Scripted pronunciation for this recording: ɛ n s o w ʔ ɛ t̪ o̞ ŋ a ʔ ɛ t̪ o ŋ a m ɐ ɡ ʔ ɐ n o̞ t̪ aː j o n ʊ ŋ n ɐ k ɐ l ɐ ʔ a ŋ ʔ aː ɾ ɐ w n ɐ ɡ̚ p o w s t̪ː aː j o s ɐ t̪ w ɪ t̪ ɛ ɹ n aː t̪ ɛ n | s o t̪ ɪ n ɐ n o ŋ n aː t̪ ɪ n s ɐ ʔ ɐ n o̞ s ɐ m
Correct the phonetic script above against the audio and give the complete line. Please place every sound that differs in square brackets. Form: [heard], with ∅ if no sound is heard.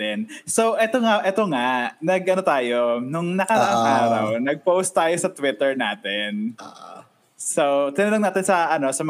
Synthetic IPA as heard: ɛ n s o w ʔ ɛ t̪ o̞ ŋ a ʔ ɛ t̪ o ŋ a [n] ɐ ɡ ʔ ɐ n o̞ t̪ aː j o n ʊ ŋ n ɐ k ɐ [ɾ] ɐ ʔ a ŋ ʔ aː ɾ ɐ w n ɐ ɡ̚ p o w s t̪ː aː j o s ɐ t̪ w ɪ t̪ ɛ ɹ n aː t̪ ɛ n | s o t̪ ɪ n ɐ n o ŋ n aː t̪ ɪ n s ɐ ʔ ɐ n o̞ s ɐ m